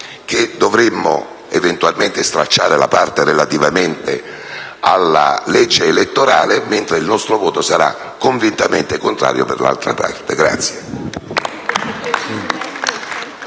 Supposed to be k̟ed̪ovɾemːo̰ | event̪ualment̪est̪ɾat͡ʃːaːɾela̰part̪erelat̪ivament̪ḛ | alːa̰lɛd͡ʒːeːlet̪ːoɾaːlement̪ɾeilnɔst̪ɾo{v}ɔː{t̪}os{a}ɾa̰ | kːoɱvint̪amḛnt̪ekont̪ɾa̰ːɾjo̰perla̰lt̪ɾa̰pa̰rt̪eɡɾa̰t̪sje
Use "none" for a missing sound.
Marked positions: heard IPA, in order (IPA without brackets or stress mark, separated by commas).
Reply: v, t̪, a